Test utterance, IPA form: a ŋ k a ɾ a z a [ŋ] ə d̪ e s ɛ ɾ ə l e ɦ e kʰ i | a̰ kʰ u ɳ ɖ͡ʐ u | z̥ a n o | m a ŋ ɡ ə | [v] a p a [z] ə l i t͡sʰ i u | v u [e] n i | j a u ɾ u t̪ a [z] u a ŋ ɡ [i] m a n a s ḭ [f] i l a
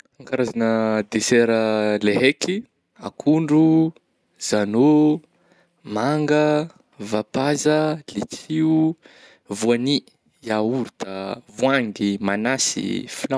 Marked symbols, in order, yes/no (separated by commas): no, yes, yes, no, no, yes, yes